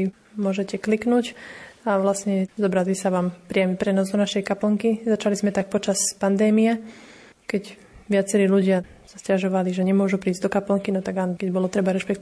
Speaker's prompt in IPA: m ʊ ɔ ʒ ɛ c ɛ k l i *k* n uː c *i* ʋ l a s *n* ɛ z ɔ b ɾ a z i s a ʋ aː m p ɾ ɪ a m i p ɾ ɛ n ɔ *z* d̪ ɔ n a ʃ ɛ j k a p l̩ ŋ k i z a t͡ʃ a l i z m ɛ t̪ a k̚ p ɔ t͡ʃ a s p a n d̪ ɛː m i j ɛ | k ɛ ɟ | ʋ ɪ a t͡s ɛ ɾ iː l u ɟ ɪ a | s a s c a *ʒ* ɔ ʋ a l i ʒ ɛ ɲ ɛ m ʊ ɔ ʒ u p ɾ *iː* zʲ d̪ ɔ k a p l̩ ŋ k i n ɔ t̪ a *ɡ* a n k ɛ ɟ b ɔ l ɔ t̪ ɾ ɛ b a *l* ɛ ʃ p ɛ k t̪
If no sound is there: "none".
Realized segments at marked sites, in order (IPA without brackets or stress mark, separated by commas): k, a, ɲ, z, ʒ, iː, ɡ, ɾ